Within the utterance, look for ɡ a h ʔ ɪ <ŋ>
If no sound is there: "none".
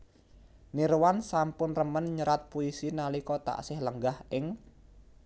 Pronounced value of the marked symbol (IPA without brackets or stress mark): ŋ